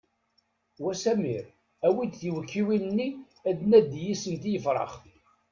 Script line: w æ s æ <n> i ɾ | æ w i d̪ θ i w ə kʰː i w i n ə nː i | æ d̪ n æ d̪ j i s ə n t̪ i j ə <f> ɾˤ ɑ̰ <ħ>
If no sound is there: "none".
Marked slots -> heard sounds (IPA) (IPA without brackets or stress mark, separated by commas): m, f, χ